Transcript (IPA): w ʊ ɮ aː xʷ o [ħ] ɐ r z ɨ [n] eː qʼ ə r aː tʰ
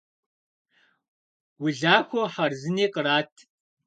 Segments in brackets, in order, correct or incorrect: correct, correct

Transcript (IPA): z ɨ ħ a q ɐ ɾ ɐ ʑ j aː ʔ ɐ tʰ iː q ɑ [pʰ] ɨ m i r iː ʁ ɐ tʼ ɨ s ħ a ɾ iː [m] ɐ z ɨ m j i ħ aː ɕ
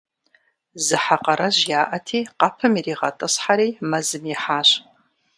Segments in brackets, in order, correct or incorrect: correct, correct

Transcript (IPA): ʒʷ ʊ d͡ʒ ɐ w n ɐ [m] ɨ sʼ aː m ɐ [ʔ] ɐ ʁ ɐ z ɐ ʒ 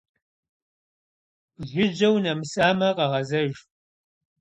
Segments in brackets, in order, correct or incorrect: correct, incorrect: q

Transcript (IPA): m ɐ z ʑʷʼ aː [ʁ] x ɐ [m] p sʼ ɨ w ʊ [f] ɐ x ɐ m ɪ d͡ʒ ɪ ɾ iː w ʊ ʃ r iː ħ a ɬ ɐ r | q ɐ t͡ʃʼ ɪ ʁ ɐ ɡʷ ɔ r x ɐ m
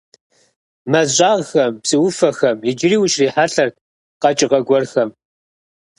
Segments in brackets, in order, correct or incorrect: correct, correct, correct

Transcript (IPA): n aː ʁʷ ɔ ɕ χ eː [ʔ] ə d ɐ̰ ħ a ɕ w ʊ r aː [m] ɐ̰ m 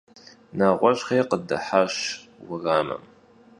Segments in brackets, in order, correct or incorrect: incorrect: q, correct

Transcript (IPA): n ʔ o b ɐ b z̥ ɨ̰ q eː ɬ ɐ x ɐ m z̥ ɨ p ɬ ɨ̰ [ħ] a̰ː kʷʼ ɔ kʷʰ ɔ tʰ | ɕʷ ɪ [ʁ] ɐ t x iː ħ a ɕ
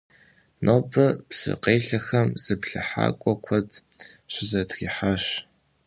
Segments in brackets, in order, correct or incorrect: correct, incorrect: z

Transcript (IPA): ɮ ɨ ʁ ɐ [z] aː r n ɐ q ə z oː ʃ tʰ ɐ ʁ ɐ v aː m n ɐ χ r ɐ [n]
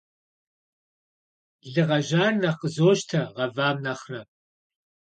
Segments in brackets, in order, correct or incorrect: incorrect: ʒ, incorrect: none

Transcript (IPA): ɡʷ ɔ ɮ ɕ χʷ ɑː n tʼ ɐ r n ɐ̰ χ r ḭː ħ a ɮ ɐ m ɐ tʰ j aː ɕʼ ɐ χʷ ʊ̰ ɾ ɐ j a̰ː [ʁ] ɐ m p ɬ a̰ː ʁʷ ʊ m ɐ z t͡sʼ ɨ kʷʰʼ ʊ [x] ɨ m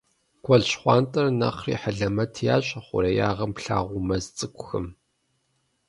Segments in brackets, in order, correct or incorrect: correct, correct

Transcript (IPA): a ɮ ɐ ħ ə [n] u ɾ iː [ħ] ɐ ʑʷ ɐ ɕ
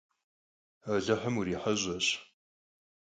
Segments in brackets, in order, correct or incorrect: incorrect: m, correct

